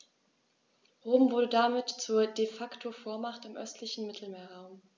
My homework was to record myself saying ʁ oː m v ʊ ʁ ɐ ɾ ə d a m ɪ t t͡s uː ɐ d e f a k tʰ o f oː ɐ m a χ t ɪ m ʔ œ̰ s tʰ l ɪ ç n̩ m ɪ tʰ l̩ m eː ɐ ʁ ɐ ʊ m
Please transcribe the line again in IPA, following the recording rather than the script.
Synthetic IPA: ʁ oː m v ʊ ɐ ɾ ə d a m ɪ t t͡s uː ɐ d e f a k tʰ o f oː ɐ m a χ t ɪ m ʔ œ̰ s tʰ l ɪ ç n̩ m ɪ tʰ l̩ m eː ɐ ʁ a ʊ m